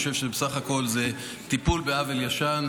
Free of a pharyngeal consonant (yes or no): yes